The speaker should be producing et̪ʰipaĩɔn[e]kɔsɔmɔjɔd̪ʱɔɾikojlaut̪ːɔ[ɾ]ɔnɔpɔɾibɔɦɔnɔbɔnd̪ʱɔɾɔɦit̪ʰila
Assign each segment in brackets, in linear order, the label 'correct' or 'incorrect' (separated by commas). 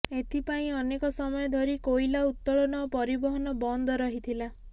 correct, incorrect